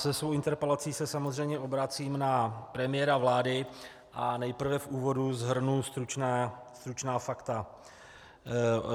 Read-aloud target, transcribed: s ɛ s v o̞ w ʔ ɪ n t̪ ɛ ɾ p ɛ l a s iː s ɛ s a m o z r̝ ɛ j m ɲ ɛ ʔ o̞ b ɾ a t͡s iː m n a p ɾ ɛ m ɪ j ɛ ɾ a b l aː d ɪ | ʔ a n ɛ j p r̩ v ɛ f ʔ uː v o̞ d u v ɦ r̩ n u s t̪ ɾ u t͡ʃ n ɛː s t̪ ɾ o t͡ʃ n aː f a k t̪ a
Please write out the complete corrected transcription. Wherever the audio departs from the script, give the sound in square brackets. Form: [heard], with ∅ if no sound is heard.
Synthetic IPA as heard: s ɛ s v o̞ w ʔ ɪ n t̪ ɛ ɾ p ɛ l a [t͡s] iː s ɛ s a m o z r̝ ɛ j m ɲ ɛ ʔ o̞ b ɾ a t͡s iː m n a p ɾ ɛ m ɪ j ɛ ɾ a [v] l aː d ɪ | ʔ a n ɛ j p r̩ v ɛ f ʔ uː v o̞ d u [z] ɦ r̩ n u s t̪ ɾ u t͡ʃ n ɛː s t̪ ɾ [u] t͡ʃ n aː f a k t̪ a